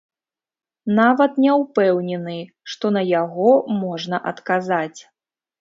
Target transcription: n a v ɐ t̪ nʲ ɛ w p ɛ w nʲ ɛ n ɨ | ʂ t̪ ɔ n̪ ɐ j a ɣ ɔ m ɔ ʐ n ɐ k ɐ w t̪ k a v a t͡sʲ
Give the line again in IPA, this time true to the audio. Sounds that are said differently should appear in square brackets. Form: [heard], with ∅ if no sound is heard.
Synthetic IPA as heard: n a v ɐ t̪ nʲ ɛ w p ɛ w nʲ ɛ n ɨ | ʂ t̪ ɔ n̪ ɐ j a ɣ ɔ m ɔ ʐ n ɐ [ʔ] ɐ [∅] t̪ k a [z] a t͡sʲ